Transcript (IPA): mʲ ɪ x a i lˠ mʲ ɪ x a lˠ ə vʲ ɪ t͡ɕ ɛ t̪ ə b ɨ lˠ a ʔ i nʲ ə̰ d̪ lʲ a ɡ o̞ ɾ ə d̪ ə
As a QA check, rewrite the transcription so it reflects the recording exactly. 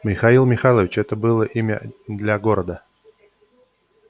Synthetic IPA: mʲ ɪ x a i lˠ mʲ ɪ x a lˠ ə vʲ ɪ t͡ɕ ɛ t̪ ə b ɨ lˠ ə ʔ i mʲ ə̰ d̪ lʲ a ɡ o̞ ɾ ə d̪ ə

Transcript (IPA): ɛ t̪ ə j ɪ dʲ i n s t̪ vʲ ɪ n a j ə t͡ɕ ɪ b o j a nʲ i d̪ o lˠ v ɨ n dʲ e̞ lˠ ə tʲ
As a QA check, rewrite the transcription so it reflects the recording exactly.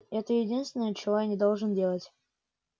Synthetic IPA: ɛ t̪ ə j ɪ dʲ i n s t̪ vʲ ɪ n ə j ə t͡ɕ ɪ v o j a nʲ ɪ d̪ o lˠ ʐ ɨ n dʲ e̞ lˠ ə tʲ

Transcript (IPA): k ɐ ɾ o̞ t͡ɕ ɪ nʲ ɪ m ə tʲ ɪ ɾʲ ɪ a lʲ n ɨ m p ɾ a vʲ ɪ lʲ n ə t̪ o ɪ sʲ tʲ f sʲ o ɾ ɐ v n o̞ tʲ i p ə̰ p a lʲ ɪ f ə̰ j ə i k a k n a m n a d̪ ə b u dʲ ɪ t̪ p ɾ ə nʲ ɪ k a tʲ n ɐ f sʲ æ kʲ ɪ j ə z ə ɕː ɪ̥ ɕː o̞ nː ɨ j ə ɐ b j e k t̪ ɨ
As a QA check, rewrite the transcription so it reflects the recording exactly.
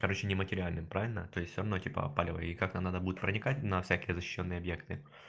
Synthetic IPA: k ɐ ɾ o̞ t͡ɕ ɪ nʲ ɪ m ə tʲ ɪ ɾʲ ɪ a lʲ n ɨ m p ɾ a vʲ ɪ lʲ n ə t̪ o ɪ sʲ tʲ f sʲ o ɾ ɐ v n o̞ tʲ i p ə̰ p a lʲ ɪ v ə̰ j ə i k a k n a m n a d̪ ə b u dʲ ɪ t̪ p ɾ ə nʲ ɪ k a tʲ n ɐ f sʲ æ kʲ ɪ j ə z ə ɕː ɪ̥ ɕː o̞ nː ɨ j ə ɐ b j e k t̪ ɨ

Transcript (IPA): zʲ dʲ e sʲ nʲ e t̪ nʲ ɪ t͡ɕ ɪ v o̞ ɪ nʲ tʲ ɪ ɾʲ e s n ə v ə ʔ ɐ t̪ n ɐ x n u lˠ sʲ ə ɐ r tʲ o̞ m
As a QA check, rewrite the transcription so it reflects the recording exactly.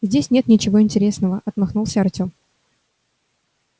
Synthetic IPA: zʲ dʲ e sʲ nʲ e t̪ nʲ ɪ t͡ɕ ɪ v o̞ ɪ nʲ tʲ ɪ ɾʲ e s n ə v ə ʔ ɐ t̪ m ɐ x n u lˠ sʲ ə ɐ r tʲ o̞ m

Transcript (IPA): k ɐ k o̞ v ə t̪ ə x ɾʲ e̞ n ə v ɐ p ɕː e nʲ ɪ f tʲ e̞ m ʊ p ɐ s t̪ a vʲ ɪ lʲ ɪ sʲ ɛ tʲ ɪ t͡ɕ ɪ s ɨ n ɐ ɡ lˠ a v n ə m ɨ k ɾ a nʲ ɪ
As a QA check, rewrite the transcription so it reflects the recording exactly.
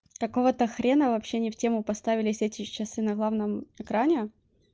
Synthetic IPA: k ɐ k o̞ v ə t̪ ə x ɾʲ e̞ n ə v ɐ p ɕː e nʲ ɪ f tʲ e̞ m ʊ p ɐ s t̪ a vʲ ɪ lʲ ɪ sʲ ɛ tʲ ɪ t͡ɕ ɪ s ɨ n ɐ ɡ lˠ a v n ə m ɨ k ɾ a nʲ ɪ

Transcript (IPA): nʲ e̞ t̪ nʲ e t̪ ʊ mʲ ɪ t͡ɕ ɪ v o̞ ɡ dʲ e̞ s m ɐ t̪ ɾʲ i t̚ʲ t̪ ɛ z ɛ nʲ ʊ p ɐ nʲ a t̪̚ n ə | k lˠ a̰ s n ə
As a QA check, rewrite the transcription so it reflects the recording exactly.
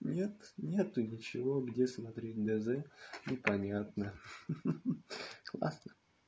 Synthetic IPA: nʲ e̞ t̪ nʲ e t̪ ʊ nʲ ɪ t͡ɕ ɪ v o̞ ɡ dʲ e̞ s m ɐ t̪ ɾʲ e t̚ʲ d̪ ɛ z ɛ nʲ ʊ p ɐ nʲ a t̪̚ n ə | k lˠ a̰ s n ə

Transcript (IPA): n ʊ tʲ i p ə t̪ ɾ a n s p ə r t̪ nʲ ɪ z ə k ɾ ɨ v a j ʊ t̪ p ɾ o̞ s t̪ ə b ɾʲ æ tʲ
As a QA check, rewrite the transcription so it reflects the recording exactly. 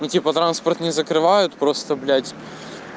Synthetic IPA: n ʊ tʲ i p ə t̪ ɾ a n s p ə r t̪ nʲ ɪ z ə k ɾ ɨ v a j ʊ t̪ p ɾ o̞ s t̪ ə b lʲ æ tʲ

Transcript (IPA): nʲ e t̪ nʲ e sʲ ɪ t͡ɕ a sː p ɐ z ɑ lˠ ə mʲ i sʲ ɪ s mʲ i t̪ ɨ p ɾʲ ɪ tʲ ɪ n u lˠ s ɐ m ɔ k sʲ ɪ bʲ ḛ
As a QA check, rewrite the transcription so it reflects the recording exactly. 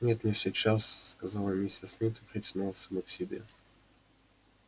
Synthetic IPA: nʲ e t̪ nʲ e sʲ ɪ t͡ɕ a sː k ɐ z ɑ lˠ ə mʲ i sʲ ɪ s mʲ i t̪ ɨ p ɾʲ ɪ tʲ ɪ n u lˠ s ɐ m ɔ k sʲ ɪ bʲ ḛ

